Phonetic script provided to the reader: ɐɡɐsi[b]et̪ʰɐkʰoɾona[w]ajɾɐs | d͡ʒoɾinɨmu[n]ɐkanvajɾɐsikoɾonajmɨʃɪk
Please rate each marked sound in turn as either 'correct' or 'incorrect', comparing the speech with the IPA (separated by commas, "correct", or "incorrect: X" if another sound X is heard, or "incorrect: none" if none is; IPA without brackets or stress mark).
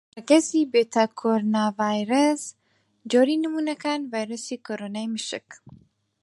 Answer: correct, incorrect: v, correct